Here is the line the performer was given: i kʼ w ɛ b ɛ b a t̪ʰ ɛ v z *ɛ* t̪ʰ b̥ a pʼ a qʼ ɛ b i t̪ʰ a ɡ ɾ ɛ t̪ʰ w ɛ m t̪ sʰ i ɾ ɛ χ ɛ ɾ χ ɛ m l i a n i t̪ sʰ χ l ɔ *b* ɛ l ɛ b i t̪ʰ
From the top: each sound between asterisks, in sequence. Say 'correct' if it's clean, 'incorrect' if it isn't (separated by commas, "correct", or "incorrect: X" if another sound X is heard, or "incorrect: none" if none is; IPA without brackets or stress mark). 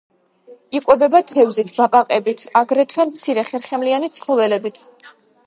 incorrect: i, incorrect: v